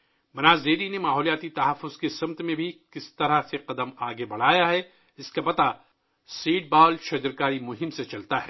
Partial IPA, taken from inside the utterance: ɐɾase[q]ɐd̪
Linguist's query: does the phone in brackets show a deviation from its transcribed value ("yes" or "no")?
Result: no